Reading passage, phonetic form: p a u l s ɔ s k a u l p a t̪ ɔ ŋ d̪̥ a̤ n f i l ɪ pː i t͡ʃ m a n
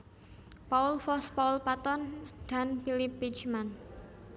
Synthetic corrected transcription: p a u l f ɔ s p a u l p a t̪ ɔ n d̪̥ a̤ n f i l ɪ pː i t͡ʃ m a n

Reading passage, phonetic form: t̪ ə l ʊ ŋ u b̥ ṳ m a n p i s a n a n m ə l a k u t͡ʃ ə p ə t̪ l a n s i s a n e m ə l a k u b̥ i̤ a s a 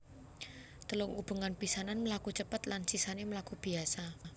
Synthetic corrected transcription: t̪ ə l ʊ ŋ u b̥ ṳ ŋ a n p i s a n a n m ə l a k u t͡ʃ ə p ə t̪ l a n s i s a n e m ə l a k u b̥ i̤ a s a

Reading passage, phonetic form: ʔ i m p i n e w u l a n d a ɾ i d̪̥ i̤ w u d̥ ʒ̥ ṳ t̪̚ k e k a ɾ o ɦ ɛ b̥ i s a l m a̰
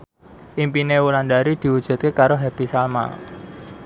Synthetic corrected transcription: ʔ i m p i n e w u l a n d a ɾ i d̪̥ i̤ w u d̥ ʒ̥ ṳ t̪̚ k e k a ɾ o ɦ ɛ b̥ i s a l m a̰

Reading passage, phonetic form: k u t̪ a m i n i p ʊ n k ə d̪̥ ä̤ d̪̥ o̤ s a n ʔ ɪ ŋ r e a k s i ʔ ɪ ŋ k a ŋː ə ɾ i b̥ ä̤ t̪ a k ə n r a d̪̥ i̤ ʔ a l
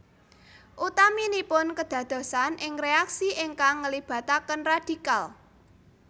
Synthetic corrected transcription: ʔ u t̪ a m i n i p ʊ n k ə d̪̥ ä̤ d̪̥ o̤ s a n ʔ ɪ ŋ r e a k s i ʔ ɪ ŋ k a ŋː ə l i b̥ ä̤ t̪ a k ə n r a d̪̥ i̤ k a l

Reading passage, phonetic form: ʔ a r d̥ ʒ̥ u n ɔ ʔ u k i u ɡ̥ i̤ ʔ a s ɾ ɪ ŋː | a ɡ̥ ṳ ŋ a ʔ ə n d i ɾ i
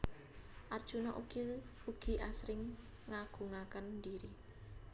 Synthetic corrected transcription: ʔ a r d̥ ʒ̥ u n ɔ ʔ u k i u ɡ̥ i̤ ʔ a s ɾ ɪ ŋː | a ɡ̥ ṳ ŋ a k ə n d i ɾ i

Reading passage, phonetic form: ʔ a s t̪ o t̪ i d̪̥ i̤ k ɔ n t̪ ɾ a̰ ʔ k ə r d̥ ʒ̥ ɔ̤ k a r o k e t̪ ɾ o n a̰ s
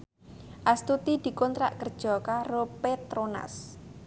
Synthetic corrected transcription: ʔ a s t̪ u t̪ i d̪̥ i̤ k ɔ n t̪ ɾ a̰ ʔ k ə r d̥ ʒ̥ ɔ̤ k a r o p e t̪ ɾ o n a̰ s

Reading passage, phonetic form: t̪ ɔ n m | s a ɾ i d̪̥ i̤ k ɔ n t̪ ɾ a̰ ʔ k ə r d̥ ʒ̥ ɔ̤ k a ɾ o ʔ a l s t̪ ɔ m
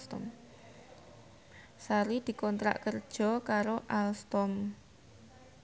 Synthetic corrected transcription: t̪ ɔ m | s a ɾ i d̪̥ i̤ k ɔ n t̪ ɾ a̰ ʔ k ə r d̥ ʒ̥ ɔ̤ k a ɾ o ʔ a l s t̪ ɔ m

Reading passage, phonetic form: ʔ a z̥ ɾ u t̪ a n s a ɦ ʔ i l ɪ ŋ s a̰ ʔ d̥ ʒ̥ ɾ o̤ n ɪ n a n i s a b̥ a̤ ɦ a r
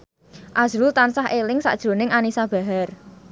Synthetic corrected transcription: ʔ a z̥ ɾ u t̪ a n s a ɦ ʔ e l ɪ ŋ s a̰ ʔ d̥ ʒ̥ ɾ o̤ n ɪ ŋ a n i s a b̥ a̤ ɦ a r

